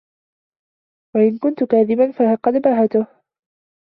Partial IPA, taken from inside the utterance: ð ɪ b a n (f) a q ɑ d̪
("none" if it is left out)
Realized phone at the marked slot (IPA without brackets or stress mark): f